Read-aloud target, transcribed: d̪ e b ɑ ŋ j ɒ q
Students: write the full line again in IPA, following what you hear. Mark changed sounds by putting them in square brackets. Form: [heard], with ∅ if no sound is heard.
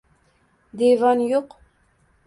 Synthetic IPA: d̪ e [v] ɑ [n] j [o] q